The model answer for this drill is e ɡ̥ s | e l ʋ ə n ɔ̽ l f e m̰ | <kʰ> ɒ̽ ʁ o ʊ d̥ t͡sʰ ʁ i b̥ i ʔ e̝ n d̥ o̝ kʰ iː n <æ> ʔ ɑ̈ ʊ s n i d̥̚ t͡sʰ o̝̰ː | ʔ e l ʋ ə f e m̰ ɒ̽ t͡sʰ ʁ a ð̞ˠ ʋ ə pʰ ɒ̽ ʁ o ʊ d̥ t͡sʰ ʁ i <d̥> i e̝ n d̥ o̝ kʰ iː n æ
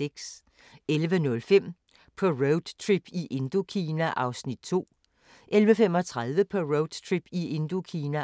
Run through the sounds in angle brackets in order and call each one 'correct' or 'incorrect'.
incorrect, correct, incorrect

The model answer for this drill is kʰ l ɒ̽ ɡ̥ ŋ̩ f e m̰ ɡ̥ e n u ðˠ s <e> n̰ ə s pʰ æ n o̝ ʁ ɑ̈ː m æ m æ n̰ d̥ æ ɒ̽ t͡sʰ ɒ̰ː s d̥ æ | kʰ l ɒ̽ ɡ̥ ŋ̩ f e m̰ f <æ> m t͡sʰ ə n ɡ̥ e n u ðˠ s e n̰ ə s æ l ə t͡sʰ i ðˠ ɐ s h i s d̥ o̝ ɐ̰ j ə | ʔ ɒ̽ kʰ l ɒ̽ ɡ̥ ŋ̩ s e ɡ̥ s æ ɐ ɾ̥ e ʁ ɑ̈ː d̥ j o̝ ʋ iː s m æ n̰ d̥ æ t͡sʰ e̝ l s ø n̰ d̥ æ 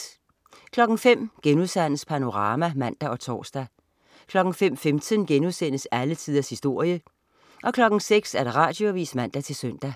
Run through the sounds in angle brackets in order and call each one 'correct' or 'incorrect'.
incorrect, incorrect

